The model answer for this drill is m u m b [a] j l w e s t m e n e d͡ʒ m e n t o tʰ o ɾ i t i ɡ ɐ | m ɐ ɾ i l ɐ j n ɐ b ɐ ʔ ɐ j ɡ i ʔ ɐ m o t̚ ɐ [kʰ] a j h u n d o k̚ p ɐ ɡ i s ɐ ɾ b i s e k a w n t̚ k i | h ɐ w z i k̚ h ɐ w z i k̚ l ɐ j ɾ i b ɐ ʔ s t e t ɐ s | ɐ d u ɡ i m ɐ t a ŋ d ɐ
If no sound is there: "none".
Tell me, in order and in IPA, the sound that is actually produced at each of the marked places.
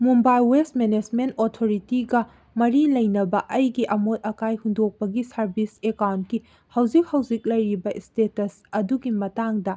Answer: a, k

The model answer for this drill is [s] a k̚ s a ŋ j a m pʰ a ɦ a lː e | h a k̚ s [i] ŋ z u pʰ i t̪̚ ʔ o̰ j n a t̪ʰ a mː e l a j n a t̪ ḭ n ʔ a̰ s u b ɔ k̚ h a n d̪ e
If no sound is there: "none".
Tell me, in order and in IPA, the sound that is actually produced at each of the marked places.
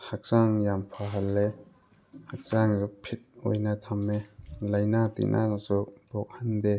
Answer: h, a

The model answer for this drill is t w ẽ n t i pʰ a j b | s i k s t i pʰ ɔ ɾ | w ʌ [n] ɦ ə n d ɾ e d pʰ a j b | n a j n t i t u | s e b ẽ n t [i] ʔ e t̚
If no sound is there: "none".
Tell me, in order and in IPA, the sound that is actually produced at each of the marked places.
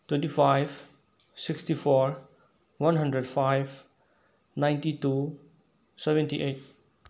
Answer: n, i

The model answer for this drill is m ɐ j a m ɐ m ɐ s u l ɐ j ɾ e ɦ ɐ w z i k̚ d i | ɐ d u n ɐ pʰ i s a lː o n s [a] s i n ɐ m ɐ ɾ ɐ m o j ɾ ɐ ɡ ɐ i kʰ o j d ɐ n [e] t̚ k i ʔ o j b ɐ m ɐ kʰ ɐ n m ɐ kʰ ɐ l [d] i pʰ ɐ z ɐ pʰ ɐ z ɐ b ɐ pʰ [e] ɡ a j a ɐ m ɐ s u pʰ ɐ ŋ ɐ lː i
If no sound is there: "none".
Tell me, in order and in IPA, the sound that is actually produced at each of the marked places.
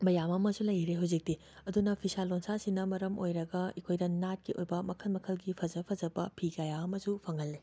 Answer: a, a, ɡ, i

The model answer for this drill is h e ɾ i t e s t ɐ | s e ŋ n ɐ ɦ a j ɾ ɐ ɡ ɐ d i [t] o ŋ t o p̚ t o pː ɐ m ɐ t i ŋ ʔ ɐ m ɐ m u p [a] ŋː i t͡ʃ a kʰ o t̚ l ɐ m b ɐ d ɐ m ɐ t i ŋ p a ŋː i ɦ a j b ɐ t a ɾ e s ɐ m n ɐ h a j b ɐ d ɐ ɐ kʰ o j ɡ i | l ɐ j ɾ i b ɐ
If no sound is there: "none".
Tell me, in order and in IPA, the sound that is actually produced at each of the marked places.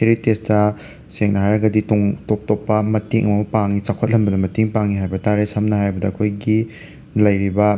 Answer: t, a

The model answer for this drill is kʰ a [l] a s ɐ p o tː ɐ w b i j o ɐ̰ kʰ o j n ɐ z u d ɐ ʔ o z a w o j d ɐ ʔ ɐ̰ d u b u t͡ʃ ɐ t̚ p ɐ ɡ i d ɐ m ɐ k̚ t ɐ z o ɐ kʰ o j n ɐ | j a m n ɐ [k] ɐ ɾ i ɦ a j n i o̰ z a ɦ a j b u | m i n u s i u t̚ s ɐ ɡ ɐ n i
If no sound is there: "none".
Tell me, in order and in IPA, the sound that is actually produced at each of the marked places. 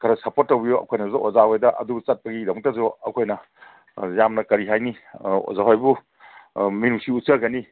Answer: ɾ, k

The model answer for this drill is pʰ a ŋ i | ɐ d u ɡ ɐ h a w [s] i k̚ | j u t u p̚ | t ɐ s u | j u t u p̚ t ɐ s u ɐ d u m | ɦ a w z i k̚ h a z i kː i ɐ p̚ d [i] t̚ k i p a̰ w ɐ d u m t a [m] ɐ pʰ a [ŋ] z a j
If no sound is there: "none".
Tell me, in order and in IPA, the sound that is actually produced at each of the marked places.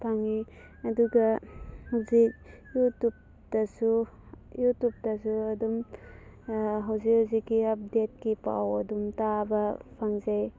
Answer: z, e, b, ŋ

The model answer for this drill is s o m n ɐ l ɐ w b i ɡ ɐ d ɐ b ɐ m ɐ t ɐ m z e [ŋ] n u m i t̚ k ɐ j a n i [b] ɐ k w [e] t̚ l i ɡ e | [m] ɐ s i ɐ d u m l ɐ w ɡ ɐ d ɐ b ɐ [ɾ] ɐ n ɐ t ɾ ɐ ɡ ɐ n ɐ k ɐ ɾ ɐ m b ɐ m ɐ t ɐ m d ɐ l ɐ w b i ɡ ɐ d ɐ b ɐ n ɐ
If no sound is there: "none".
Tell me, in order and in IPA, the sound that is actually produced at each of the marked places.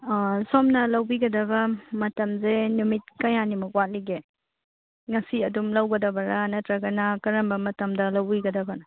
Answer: none, m, a, ŋ, ɾ

